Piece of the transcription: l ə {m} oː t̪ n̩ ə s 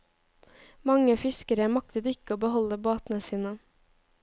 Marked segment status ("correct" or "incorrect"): incorrect